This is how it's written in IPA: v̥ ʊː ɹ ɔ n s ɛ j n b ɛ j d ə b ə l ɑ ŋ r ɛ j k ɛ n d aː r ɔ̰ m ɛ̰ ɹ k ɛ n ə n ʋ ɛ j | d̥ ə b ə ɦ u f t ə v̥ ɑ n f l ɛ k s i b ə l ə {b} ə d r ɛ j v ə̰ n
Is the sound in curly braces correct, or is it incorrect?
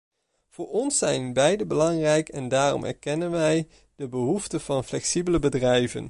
correct